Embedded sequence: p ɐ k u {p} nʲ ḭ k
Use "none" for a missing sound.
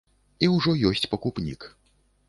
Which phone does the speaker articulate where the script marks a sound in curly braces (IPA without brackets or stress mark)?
p